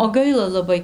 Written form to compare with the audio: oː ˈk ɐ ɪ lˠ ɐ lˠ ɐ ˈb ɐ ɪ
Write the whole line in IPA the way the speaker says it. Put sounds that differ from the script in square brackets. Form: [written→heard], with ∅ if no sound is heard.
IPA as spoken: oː [ˈk→ˈɡ] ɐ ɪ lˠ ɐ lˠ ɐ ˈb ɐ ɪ